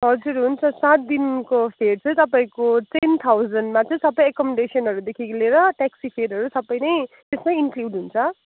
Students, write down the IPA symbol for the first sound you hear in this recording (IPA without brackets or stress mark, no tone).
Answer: ɦ